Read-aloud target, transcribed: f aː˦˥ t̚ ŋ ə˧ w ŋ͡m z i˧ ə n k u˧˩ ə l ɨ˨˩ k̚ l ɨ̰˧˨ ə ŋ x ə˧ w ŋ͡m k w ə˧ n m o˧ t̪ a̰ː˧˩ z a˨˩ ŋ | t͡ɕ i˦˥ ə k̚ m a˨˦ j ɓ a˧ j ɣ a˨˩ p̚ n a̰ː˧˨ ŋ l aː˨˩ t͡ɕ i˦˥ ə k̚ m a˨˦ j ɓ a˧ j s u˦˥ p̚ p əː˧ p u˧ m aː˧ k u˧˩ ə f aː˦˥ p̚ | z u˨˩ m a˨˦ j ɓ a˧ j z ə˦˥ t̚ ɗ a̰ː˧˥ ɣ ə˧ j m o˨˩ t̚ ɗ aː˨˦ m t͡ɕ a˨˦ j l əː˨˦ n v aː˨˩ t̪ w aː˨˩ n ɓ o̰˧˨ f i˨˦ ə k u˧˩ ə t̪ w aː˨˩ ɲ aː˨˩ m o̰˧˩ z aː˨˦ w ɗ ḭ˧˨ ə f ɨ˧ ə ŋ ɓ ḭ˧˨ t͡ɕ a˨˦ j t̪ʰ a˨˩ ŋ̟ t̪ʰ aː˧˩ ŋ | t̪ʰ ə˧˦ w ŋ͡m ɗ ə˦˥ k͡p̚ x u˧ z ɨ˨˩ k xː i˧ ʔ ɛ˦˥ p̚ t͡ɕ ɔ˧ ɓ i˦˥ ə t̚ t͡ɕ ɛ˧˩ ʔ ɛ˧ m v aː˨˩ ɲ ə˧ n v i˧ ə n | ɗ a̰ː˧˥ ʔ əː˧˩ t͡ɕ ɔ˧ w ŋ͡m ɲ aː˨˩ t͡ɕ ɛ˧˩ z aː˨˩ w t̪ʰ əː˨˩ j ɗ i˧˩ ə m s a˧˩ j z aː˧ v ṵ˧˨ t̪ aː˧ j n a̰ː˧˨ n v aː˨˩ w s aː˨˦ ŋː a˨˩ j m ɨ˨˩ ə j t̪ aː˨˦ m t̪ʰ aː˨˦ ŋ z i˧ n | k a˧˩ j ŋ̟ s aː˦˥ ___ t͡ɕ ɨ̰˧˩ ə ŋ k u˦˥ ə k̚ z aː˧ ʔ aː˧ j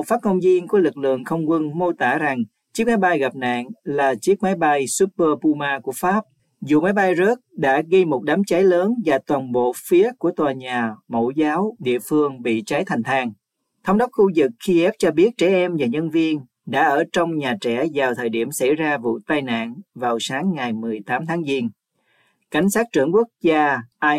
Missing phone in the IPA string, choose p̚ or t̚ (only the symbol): t̚